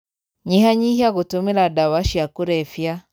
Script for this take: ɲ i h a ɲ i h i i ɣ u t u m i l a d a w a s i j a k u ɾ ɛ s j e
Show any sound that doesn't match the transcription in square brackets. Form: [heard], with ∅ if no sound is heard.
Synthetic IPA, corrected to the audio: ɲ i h a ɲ i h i [a] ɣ u t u m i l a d a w a [ʃ] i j a k u ɾ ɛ [f] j [a]